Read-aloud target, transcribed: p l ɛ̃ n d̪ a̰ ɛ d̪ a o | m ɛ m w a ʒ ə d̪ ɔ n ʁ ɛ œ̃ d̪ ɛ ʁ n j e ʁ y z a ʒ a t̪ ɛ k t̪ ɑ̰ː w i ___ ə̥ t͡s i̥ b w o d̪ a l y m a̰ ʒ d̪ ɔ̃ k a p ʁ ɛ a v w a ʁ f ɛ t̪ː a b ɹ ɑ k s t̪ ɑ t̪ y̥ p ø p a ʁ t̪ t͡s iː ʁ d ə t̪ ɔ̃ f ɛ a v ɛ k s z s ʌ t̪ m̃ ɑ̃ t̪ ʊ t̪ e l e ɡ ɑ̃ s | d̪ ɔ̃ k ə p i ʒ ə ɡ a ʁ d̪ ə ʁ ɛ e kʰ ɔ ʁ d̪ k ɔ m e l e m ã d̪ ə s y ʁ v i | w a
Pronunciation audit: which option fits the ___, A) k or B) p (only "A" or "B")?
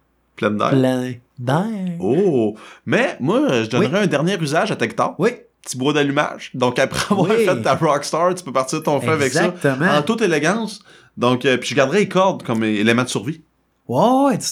B